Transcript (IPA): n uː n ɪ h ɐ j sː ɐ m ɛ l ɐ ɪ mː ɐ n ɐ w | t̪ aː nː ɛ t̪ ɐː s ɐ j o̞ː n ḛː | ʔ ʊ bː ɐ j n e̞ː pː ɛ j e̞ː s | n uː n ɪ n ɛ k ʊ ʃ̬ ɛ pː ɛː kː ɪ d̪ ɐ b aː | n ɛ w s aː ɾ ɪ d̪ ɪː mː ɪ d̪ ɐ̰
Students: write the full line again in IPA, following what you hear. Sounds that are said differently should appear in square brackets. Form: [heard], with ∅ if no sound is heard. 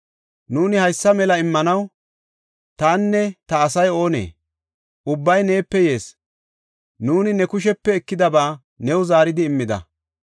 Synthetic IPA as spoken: n uː n ɪ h ɐ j sː ɐ m ɛ l ɐ ɪ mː ɐ n ɐ w | t̪ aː nː ɛ t̪ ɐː s ɐ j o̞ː n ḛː | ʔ ʊ bː ɐ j n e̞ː pː ɛ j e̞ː s | n uː n ɪ n ɛ k ʊ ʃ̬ ɛ pː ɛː kː ɪ d̪ ɐ b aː | n ɛ w [z] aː ɾ ɪ d̪ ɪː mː ɪ d̪ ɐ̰